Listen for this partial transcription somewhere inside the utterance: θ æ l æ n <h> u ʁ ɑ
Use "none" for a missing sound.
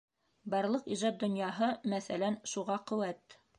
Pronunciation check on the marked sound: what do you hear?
ʃ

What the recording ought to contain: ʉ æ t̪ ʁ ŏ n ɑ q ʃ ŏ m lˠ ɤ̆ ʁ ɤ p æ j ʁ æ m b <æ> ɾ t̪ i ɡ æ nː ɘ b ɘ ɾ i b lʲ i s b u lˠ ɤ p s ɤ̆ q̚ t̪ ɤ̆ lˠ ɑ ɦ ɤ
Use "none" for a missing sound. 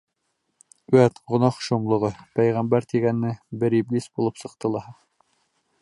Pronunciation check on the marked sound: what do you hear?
æ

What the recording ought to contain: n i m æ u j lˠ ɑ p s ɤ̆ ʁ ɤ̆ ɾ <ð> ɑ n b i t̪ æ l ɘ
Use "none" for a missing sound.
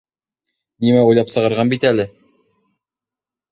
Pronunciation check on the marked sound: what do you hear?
ʁ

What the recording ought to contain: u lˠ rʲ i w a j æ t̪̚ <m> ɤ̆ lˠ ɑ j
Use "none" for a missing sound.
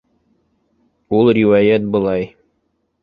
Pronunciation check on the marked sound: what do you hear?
b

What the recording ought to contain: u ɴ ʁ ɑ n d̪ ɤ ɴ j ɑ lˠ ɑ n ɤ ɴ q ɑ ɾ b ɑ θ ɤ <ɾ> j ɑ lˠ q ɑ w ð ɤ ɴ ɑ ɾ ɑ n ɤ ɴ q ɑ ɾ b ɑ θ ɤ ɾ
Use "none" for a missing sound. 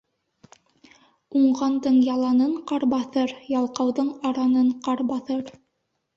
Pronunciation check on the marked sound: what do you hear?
ɾ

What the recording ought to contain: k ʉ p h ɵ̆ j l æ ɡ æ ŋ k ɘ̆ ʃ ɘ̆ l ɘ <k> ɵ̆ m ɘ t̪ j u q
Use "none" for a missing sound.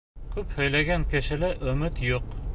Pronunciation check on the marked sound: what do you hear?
ʔ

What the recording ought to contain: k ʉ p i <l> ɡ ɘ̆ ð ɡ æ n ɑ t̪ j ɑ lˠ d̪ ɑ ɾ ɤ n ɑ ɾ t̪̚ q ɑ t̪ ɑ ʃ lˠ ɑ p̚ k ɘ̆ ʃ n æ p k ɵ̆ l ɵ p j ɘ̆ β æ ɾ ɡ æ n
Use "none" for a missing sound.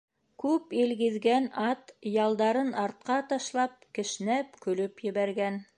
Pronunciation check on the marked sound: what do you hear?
l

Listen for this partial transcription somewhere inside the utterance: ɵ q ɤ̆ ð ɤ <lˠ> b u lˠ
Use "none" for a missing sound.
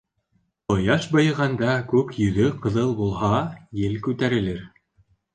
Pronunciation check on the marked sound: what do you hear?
lˠ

